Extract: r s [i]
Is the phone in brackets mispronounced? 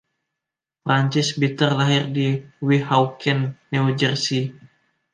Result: no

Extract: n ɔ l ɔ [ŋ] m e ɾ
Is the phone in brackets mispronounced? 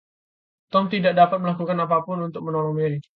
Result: no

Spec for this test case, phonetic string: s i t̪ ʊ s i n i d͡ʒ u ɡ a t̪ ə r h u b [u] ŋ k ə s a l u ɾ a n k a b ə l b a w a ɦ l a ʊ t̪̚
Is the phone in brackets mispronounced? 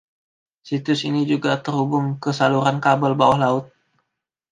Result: yes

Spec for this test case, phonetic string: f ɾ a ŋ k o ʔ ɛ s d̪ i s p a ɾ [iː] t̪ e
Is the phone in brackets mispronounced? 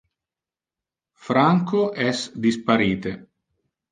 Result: no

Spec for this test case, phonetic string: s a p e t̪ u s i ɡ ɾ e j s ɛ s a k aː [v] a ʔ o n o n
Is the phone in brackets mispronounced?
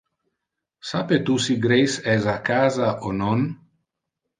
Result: yes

